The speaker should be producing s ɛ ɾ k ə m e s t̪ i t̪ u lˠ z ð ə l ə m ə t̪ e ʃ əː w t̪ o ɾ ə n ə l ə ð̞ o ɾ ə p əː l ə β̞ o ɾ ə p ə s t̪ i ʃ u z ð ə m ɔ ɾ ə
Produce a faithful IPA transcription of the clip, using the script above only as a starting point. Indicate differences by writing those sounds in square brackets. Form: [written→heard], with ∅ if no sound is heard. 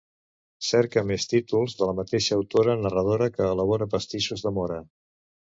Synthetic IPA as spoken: s ɛ ɾ k ə m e s t̪ i t̪ u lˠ z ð ə l ə m ə t̪ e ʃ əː w t̪ o ɾ ə n ə [l→r] ə ð̞ o ɾ ə [p→k] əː l ə β̞ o ɾ ə p ə s t̪ i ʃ u z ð ə m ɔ ɾ ə